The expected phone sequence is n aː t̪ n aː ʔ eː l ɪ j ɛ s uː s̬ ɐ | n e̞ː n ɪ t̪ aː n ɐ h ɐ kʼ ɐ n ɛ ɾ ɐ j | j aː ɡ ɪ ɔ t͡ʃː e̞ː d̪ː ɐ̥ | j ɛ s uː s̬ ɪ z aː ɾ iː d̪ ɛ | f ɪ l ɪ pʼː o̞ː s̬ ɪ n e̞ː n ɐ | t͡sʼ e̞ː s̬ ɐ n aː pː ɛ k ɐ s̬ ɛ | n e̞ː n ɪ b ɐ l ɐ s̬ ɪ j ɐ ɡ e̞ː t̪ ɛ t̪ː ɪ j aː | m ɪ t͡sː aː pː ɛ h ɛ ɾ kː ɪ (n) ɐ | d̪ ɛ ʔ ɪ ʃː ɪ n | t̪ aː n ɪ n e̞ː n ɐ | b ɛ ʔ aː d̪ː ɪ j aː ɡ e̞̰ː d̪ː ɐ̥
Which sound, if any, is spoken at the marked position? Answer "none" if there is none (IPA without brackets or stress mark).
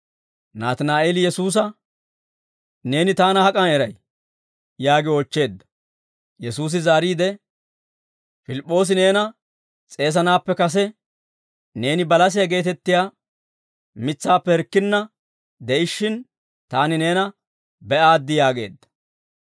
nː